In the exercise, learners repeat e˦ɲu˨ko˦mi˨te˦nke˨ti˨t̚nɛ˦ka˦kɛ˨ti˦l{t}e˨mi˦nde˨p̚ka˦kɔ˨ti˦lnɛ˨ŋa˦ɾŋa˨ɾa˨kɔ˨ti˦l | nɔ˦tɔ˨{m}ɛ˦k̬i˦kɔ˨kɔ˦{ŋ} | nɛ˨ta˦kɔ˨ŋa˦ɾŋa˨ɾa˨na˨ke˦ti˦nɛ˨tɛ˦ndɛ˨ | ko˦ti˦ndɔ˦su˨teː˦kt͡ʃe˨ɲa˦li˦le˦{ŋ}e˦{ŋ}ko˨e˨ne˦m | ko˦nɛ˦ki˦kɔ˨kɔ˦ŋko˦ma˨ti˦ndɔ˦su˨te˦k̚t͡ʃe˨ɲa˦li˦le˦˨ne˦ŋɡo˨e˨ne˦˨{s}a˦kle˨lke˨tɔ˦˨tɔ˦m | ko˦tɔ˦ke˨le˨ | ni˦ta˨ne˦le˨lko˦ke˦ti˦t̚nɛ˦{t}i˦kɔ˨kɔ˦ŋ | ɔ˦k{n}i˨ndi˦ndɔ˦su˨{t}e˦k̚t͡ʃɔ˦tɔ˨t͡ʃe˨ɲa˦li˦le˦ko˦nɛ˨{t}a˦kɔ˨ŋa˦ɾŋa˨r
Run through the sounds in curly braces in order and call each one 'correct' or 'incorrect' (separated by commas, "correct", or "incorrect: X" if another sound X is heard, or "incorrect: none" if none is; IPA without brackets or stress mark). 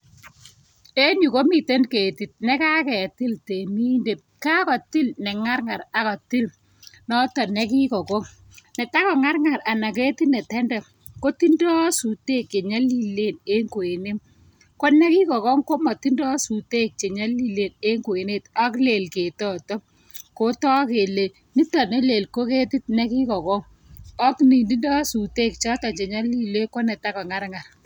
correct, incorrect: n, correct, incorrect: n, correct, incorrect: t, incorrect: k, correct, correct, correct